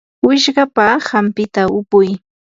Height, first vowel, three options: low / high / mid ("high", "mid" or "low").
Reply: high